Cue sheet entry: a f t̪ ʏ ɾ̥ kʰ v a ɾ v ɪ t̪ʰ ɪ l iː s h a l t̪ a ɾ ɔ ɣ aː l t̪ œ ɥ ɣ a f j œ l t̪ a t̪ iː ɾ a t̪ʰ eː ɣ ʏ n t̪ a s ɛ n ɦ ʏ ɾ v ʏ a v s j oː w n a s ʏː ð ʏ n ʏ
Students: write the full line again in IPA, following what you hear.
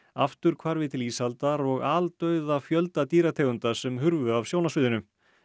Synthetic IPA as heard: a f t̪ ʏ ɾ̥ kʰ v a ɾ v ɪ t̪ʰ ɪ l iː s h a l t̪ a ɾ ɔ ɣ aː l t̪ œ ɥ ð a f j œ l t̪ a t̪ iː ɾ a t̪ʰ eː ɣ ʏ n t̪ a s ɛ m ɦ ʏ ɾ v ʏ a v s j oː w n a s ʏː ð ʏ n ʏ